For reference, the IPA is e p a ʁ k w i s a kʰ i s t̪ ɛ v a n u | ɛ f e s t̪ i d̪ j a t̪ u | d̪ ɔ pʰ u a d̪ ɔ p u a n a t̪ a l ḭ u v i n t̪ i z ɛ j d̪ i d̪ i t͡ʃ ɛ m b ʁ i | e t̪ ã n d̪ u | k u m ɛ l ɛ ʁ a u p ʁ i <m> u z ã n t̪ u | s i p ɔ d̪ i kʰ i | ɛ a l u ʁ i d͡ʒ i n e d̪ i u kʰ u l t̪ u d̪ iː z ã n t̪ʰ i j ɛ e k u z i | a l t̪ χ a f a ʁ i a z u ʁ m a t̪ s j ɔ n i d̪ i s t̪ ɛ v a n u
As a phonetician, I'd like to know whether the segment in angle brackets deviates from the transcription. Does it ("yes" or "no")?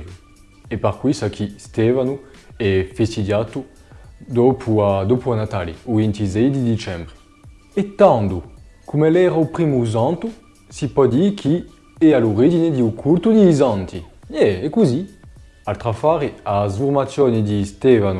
no